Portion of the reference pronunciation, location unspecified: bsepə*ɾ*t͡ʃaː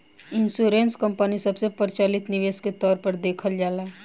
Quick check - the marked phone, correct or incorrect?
correct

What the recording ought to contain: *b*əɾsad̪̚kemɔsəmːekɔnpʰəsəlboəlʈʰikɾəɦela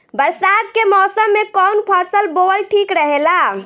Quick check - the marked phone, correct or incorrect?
correct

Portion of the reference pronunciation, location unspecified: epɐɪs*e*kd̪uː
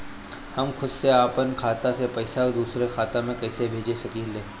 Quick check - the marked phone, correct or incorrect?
incorrect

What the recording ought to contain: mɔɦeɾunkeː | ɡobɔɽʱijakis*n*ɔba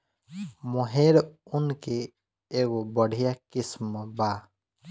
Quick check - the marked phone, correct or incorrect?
incorrect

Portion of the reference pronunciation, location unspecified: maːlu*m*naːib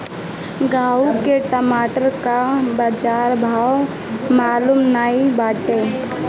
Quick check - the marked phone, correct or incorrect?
correct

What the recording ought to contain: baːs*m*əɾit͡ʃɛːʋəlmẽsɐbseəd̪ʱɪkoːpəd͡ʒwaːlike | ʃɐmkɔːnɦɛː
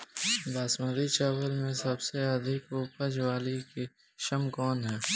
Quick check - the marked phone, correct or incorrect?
correct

